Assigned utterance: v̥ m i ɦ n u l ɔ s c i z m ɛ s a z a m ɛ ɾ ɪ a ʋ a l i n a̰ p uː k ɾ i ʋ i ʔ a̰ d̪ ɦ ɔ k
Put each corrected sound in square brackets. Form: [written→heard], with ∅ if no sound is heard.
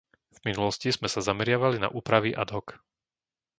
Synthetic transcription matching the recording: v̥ m i [ɦ→∅] n u l ɔ s c i z m ɛ s a z a m ɛ ɾ ɪ a ʋ a l i n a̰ [p→ʔ] uː [k→p] ɾ [i→a] ʋ i ʔ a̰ d̪ ɦ ɔ k